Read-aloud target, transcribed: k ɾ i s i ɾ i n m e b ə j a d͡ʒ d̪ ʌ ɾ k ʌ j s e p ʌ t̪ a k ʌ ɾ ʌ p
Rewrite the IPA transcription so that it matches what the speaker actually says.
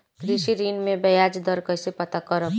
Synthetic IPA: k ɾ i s i ɾ i n m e b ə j a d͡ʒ d̪ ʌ ɾ k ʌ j s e p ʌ t̪ a k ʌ ɾ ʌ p